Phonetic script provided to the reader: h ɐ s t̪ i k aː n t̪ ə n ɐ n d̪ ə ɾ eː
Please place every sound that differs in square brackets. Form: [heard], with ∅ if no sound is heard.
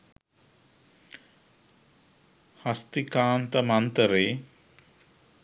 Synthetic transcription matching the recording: h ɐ s t̪ i k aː n t̪ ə [m] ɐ n [t̪] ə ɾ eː